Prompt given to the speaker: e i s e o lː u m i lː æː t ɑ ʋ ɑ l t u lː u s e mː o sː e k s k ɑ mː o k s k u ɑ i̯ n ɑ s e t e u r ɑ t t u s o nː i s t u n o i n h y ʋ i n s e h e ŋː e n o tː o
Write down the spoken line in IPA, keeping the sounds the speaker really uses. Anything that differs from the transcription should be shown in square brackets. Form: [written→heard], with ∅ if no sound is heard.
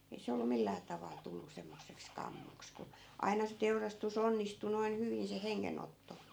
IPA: e i s e o lː u m i lː æː t ɑ ʋ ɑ l t u lː u s e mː o sː e k s k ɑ mː o k s k u ɑ i̯ n ɑ s e t e u r ɑ [t→s] t u s o nː i s t u n o i n h y ʋ i n s e h e ŋː e n o tː o